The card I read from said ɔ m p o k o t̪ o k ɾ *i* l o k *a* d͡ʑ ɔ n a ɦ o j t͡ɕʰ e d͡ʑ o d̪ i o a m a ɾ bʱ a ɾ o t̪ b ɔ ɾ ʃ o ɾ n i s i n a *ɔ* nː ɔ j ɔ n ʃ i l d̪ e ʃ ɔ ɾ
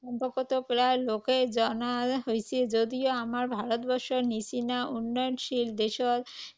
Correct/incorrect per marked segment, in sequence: incorrect, incorrect, incorrect

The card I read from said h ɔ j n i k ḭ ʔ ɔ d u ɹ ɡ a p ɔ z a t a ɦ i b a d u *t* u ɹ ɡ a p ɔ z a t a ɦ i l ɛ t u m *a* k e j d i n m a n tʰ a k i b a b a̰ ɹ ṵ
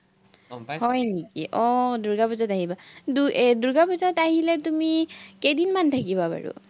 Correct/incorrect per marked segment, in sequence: incorrect, incorrect

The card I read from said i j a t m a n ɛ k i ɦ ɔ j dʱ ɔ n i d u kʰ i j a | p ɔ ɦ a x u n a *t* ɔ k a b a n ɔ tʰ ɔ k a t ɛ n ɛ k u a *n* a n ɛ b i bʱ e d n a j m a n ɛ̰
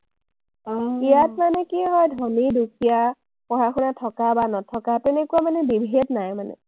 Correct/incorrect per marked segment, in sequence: incorrect, incorrect

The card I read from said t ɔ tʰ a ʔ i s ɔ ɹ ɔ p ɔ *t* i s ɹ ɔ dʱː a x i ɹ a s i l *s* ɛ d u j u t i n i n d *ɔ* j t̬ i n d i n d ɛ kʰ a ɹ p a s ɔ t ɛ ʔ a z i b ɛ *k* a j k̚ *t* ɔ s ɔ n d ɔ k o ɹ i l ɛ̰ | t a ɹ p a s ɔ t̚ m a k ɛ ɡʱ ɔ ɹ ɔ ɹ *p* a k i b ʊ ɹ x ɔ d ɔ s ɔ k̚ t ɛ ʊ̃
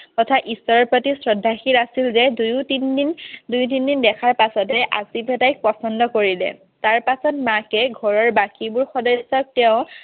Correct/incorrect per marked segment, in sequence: correct, incorrect, incorrect, incorrect, incorrect, incorrect

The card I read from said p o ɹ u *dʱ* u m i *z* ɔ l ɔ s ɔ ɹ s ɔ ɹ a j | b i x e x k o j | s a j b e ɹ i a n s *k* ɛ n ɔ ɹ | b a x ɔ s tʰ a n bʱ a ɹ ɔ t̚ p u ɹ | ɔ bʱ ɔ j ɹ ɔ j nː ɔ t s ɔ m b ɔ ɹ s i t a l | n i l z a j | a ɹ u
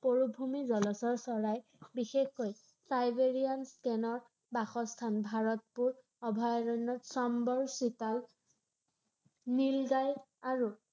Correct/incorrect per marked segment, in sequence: incorrect, correct, correct

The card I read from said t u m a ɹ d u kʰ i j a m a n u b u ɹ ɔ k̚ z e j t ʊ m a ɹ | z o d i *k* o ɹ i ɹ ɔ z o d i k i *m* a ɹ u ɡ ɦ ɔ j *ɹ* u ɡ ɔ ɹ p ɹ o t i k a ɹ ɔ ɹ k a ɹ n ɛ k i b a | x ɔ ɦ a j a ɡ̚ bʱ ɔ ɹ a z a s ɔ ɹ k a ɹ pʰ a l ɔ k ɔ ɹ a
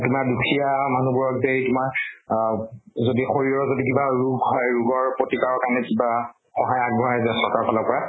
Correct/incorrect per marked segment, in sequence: incorrect, incorrect, correct

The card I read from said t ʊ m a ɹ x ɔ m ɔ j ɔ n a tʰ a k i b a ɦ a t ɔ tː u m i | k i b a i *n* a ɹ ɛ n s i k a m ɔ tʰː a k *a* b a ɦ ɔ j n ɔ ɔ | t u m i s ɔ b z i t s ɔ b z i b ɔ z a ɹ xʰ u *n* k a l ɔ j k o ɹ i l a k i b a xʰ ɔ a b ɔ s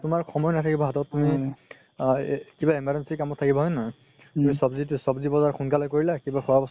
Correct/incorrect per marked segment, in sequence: incorrect, incorrect, correct

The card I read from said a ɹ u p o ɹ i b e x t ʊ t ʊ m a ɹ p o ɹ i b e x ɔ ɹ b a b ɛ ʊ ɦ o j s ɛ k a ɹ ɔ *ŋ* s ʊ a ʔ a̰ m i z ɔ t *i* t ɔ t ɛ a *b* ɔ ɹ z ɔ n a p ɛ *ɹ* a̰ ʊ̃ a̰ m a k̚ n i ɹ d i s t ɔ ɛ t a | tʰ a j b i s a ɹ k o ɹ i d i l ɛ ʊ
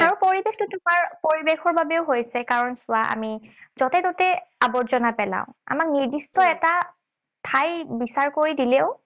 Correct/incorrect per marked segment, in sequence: incorrect, incorrect, correct, incorrect

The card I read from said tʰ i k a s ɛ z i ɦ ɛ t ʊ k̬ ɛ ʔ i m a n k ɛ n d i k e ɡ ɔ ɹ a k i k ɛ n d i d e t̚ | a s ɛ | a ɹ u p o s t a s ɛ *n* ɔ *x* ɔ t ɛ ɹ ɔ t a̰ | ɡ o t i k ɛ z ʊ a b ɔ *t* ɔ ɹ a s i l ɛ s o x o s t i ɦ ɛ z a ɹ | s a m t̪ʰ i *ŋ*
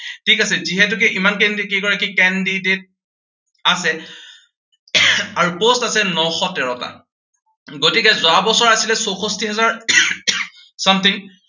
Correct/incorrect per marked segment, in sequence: correct, correct, incorrect, correct

